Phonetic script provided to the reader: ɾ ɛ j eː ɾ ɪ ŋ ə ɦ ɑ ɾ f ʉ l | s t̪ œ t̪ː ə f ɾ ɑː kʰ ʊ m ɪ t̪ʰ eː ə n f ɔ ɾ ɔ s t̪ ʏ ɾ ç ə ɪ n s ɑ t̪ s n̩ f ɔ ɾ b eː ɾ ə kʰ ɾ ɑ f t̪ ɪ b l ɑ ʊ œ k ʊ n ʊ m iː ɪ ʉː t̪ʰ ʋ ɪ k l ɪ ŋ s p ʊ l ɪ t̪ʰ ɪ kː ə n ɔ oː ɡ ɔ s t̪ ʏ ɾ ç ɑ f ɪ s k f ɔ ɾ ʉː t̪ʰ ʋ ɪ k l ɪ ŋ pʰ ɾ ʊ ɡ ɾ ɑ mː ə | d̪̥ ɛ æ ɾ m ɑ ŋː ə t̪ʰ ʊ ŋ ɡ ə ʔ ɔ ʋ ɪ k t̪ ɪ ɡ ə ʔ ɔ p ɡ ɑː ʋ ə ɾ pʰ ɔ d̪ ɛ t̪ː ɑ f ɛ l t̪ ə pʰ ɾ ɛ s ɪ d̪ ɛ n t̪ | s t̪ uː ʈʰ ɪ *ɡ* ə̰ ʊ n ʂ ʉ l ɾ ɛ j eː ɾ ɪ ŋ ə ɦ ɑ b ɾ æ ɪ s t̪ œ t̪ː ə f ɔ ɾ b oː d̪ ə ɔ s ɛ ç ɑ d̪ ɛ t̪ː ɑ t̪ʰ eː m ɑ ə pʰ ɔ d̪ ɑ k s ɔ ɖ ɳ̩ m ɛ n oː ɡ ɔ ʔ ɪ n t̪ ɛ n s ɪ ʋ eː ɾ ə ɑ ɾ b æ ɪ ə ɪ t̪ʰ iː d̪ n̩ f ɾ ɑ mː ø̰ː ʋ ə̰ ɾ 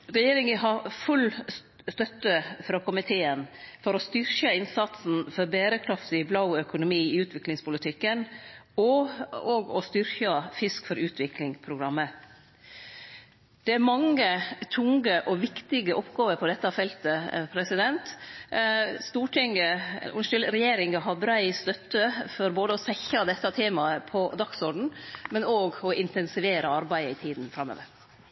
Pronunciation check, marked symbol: incorrect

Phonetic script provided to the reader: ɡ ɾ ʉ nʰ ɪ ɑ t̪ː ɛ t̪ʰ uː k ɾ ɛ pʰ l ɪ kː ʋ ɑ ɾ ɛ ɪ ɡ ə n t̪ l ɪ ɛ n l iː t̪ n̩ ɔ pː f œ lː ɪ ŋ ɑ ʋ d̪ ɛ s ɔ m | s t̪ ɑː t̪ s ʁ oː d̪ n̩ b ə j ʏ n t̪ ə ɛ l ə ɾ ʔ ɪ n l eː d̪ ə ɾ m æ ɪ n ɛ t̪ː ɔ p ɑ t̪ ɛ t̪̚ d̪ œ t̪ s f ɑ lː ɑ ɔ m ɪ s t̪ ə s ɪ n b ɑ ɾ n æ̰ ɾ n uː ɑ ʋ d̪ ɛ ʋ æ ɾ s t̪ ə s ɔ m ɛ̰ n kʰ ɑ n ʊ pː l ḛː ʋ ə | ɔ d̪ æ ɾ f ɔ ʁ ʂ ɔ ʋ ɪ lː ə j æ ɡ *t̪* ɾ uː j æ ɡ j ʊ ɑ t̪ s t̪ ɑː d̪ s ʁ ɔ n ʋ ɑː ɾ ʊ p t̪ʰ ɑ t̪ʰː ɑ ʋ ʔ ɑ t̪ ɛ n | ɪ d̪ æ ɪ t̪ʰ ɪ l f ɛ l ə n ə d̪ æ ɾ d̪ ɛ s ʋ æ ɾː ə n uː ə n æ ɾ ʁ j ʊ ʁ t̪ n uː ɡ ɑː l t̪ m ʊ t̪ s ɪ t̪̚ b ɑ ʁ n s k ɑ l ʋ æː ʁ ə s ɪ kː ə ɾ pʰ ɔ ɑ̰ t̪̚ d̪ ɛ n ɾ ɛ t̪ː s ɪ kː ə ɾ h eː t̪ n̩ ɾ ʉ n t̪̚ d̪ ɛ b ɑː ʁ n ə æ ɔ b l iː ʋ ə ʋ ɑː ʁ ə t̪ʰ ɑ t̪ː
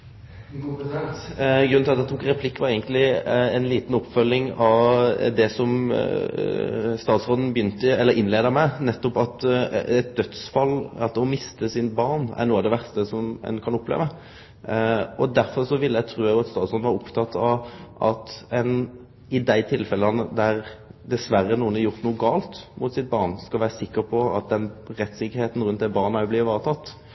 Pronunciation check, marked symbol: incorrect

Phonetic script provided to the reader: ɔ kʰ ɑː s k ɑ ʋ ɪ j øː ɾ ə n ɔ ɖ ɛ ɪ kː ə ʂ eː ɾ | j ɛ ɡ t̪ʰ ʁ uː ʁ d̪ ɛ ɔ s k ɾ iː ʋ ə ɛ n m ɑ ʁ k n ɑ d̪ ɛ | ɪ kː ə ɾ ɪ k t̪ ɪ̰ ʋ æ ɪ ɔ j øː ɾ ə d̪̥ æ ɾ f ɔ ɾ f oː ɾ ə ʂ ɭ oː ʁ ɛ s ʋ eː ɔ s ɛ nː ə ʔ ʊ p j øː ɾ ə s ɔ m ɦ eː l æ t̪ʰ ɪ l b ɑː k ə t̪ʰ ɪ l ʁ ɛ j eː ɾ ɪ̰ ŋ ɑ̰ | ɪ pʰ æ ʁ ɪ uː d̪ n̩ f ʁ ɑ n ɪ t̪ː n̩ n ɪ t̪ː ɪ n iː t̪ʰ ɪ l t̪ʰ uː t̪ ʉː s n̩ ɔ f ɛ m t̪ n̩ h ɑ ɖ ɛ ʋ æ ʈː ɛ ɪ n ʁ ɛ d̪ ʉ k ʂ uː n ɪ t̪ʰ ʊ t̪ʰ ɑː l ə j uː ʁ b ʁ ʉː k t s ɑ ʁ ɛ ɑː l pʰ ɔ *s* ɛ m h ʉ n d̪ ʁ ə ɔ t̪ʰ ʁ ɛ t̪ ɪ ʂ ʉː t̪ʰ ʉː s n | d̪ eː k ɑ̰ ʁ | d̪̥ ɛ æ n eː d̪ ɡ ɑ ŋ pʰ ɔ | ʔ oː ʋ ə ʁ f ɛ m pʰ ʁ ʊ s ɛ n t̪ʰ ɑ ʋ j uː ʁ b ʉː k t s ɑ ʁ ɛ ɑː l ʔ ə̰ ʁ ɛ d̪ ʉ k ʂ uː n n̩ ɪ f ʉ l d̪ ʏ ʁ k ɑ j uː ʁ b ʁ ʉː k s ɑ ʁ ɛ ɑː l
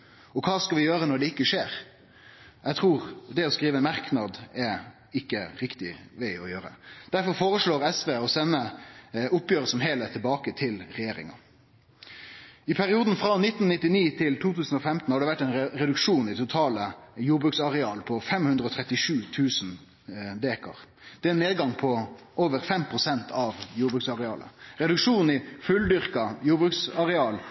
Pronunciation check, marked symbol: incorrect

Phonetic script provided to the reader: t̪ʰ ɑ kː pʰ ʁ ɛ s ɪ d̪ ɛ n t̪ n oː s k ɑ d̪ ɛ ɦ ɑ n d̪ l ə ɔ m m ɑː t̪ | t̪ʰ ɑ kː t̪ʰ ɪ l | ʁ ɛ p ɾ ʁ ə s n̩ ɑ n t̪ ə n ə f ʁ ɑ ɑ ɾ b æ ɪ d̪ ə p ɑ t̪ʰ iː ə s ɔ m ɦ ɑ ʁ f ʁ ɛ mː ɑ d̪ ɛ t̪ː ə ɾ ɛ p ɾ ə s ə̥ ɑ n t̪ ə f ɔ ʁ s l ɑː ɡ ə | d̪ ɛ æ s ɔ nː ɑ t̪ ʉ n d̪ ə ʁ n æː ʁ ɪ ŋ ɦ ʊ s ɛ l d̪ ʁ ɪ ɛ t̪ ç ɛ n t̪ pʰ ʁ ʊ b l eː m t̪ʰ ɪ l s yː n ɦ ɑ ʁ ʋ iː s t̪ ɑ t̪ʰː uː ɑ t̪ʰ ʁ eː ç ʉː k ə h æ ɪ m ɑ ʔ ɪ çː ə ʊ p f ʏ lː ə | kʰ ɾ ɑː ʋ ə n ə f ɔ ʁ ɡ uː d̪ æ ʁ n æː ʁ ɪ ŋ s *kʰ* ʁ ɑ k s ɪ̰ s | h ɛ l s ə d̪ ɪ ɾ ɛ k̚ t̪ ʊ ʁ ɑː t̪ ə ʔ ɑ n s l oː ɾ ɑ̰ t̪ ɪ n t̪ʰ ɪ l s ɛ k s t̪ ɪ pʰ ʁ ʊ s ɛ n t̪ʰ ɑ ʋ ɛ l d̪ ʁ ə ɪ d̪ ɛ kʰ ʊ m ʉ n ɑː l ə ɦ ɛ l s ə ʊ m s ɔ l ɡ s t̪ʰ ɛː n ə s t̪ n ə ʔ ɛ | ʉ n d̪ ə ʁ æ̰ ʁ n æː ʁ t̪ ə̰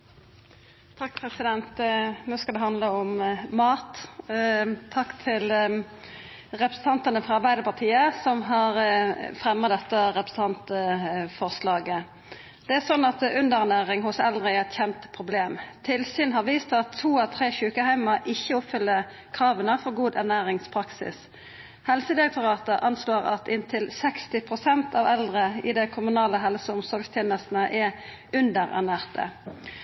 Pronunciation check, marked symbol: incorrect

